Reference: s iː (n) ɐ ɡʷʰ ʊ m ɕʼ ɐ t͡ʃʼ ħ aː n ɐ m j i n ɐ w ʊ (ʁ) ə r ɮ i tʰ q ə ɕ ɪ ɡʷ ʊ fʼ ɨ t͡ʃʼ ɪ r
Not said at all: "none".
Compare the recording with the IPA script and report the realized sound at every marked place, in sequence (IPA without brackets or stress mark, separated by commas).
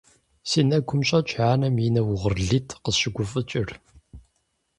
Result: n, ʁ